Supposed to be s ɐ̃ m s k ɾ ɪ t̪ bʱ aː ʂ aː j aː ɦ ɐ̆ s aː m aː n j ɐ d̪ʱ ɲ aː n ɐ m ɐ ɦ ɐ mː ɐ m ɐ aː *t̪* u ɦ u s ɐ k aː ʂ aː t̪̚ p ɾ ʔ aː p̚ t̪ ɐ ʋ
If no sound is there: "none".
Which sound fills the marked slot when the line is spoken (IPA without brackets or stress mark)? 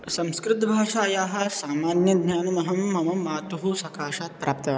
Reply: t̪